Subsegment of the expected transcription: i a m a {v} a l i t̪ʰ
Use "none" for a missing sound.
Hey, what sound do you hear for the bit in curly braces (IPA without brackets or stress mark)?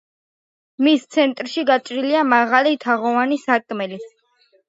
ʁ